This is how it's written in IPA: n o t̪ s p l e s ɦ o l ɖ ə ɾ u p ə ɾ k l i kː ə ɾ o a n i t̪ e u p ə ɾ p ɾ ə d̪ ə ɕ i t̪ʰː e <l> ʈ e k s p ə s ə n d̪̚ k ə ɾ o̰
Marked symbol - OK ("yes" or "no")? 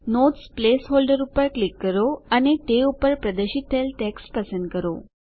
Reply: yes